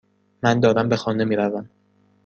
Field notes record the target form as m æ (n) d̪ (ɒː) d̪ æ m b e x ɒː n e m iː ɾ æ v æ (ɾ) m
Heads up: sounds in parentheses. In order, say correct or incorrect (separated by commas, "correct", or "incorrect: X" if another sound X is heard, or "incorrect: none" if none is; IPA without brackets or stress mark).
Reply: correct, correct, incorrect: none